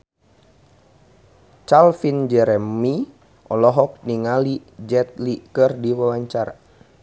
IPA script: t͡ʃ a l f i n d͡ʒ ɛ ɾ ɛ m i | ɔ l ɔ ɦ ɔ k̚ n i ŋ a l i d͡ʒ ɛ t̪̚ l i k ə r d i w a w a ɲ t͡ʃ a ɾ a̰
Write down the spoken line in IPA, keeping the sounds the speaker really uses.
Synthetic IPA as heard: t͡ʃ a l f i n d͡ʒ ɛ ɾ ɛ m i | ɔ l ɔ ɦ ɔ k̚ n i ŋ a l i d͡ʒ ɛ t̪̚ l i k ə r d i w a w a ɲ t͡ʃ a ɾ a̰